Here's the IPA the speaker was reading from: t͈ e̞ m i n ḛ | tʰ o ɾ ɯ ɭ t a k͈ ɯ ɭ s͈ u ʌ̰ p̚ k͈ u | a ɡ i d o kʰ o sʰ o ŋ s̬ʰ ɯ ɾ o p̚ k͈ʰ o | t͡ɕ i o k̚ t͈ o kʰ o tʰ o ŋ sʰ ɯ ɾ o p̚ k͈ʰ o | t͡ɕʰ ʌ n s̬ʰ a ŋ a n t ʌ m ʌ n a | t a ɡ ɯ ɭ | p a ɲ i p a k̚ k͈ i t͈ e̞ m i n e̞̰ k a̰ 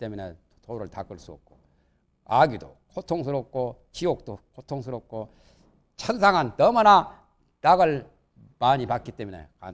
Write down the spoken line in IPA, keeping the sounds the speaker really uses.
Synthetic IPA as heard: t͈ e̞ m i n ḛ | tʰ o ɾ ɯ ɭ t a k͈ ɯ ɭ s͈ u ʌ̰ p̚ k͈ o | a ɡ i d o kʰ o tʰ o ŋ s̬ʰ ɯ ɾ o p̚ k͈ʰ o | t͡ɕ i o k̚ t͈ o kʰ o tʰ o ŋ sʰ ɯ ɾ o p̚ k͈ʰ o | t͡ɕʰ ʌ n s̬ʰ a ŋ a n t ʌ m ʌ n a | t a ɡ ɯ ɭ | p a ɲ i p a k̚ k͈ i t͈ e̞ m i n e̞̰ k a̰